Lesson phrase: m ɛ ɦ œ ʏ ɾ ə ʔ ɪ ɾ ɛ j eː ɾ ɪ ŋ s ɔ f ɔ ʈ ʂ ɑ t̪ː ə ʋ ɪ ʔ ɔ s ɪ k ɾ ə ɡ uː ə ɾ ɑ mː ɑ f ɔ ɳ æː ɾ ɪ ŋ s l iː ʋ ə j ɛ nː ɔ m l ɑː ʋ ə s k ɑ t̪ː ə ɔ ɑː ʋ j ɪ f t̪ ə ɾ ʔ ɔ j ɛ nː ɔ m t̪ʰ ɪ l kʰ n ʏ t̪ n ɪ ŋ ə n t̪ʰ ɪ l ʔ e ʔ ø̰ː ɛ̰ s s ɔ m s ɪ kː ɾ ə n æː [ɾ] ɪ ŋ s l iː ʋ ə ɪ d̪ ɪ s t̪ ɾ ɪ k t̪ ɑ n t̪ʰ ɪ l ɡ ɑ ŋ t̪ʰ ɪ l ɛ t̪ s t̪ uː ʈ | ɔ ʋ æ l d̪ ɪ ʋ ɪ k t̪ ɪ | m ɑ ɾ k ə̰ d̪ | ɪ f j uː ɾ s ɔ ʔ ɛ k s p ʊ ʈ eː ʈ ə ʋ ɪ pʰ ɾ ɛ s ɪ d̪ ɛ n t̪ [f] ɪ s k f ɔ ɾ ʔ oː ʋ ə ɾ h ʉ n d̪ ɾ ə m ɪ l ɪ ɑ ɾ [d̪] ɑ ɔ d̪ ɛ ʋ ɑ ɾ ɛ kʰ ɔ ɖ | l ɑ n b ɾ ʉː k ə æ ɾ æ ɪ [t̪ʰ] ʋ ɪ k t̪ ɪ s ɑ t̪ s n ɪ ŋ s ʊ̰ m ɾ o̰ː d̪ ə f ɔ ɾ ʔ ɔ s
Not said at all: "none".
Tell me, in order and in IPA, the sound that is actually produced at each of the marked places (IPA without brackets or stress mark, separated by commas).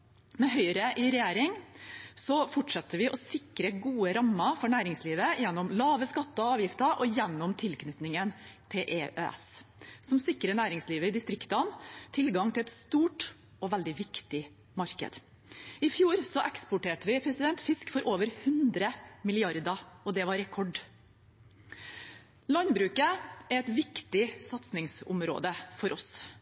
ɾ, f, d̪, t̪